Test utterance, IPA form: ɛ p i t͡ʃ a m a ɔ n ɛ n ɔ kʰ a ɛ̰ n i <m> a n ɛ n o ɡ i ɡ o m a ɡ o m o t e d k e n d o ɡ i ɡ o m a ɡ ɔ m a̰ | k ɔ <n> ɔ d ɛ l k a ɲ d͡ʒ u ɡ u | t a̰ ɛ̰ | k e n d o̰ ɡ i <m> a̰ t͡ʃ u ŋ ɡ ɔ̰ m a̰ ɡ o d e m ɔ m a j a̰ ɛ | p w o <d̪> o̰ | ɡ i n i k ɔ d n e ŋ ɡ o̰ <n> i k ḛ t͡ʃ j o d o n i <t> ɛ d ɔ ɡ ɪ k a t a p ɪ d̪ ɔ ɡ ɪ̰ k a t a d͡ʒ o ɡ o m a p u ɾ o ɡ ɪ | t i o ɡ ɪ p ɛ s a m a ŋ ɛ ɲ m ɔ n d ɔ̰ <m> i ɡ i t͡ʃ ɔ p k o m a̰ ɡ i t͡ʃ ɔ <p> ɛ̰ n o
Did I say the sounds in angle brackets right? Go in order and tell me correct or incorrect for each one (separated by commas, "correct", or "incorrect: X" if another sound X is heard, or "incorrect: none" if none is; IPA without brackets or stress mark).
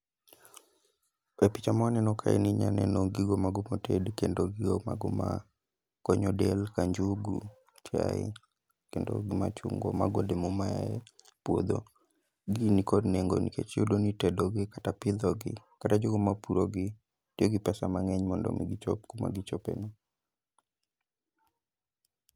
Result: incorrect: ɲ, incorrect: ɲ, correct, correct, correct, correct, correct, correct